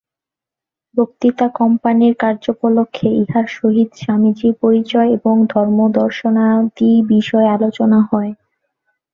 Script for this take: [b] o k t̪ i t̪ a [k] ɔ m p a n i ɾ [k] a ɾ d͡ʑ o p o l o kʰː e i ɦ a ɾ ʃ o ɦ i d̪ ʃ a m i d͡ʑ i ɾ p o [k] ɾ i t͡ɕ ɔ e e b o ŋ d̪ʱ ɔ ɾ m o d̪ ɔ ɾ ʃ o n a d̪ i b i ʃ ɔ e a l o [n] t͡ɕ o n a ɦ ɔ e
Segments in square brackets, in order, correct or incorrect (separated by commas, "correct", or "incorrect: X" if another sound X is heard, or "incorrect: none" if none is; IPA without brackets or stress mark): correct, correct, correct, incorrect: none, incorrect: none